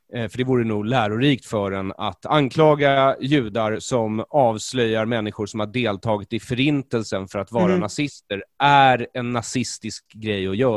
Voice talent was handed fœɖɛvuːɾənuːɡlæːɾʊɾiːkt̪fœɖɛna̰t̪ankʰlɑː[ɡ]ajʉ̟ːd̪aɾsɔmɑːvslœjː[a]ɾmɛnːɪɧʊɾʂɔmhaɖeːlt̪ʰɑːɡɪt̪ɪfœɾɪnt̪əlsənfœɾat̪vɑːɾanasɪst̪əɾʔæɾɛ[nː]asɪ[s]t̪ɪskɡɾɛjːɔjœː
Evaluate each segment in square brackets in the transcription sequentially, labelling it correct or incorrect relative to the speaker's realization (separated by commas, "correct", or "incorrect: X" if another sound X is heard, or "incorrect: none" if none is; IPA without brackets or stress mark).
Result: correct, correct, correct, correct